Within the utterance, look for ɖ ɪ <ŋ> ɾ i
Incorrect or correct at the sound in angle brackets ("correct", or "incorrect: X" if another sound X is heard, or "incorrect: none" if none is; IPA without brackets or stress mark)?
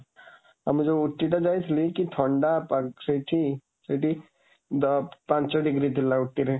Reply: incorrect: ɡ